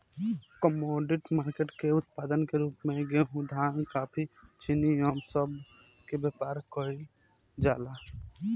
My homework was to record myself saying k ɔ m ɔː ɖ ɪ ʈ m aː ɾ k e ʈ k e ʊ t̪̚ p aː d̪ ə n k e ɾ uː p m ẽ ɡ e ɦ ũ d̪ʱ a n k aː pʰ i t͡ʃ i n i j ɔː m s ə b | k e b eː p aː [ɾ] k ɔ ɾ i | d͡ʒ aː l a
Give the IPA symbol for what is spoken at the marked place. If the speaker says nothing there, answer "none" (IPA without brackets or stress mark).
ɾ